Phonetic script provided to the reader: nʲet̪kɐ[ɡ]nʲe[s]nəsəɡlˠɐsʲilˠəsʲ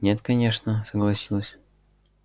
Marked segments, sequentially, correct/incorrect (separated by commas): incorrect, incorrect